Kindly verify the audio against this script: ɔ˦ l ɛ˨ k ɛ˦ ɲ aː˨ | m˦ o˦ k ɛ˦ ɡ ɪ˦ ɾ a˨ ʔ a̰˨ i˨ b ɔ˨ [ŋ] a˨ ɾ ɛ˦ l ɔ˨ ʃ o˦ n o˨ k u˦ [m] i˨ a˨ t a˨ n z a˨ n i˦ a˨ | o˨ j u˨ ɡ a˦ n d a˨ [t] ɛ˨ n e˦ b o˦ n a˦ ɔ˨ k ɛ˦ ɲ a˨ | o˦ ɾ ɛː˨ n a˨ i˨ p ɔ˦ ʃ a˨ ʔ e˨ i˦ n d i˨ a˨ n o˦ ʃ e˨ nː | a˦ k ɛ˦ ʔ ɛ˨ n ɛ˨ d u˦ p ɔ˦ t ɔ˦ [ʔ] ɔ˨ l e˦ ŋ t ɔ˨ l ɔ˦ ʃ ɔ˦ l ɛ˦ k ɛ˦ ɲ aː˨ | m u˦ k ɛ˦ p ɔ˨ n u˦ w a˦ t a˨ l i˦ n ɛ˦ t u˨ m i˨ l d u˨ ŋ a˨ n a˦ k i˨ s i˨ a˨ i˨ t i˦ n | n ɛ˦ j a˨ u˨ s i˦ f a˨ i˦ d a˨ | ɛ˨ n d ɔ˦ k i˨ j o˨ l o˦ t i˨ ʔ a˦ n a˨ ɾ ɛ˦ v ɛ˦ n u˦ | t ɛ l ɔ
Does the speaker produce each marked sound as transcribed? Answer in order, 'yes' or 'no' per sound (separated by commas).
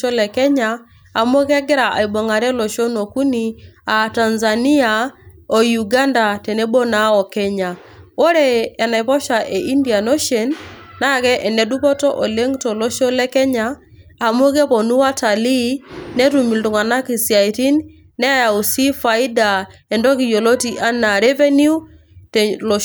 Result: yes, no, yes, yes